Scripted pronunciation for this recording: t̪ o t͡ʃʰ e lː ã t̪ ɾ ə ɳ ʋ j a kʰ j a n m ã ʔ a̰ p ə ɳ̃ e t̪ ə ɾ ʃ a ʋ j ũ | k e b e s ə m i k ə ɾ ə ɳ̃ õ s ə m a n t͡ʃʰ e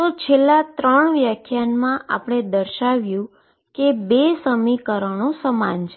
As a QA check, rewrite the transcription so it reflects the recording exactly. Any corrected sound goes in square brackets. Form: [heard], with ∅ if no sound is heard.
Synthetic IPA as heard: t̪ o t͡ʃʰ e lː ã t̪ ɾ ə ɳ ʋ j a kʰ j a n m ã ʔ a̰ p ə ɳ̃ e [d̪] ə ɾ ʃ a ʋ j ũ | k e b e s ə m i k ə ɾ ə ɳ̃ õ s ə m a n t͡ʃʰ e